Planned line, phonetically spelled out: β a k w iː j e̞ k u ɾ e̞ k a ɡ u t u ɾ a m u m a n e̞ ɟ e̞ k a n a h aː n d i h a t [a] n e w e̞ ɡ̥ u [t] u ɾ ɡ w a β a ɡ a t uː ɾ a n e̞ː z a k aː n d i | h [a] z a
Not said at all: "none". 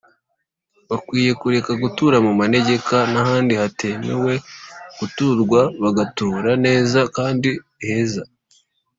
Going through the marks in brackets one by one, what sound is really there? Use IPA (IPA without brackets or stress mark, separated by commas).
e, t, e